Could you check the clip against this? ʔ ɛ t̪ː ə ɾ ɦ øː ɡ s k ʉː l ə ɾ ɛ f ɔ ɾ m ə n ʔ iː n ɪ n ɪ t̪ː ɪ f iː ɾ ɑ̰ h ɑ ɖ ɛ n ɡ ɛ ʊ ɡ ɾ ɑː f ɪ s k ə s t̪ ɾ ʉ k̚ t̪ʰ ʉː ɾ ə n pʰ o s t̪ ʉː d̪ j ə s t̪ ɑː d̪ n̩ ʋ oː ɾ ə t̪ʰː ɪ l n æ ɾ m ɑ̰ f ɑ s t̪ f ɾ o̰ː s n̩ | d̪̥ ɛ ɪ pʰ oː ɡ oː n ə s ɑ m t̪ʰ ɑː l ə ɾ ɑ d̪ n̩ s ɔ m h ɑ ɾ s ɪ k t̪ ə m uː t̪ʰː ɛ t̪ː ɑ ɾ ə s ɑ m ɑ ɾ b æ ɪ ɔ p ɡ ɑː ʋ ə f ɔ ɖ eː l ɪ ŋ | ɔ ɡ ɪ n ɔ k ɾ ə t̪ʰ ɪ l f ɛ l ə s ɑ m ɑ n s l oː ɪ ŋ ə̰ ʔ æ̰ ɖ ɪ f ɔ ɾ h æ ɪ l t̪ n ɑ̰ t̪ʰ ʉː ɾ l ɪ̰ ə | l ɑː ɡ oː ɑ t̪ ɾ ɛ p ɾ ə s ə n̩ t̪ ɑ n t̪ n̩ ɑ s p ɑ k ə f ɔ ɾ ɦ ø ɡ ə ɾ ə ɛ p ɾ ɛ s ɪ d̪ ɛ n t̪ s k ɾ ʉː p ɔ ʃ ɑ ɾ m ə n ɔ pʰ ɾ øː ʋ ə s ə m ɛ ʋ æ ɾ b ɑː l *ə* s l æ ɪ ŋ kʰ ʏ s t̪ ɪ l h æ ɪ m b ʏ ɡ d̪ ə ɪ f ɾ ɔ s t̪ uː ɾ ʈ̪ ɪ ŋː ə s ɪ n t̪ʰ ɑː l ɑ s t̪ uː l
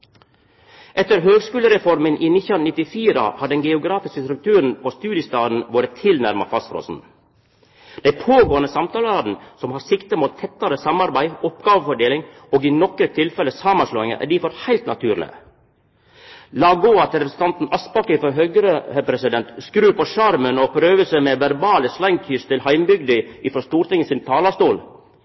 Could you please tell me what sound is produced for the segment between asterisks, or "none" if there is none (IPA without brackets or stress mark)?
ə